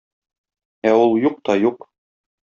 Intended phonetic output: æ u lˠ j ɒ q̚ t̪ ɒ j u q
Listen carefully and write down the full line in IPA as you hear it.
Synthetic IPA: æ u lˠ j u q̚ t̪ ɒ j u q